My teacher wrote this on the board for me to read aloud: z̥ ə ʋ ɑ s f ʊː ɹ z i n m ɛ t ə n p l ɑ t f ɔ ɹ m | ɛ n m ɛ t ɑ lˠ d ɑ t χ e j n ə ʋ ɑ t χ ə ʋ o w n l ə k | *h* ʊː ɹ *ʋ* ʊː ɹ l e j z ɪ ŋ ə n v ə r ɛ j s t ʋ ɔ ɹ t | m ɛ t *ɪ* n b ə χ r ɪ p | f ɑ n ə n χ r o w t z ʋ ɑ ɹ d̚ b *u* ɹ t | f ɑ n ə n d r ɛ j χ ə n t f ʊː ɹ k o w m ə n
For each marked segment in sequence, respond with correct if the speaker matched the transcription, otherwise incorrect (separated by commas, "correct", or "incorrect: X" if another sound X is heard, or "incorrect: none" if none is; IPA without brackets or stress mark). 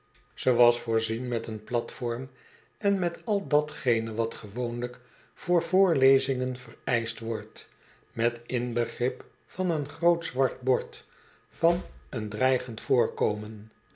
incorrect: f, incorrect: v, correct, incorrect: ɔ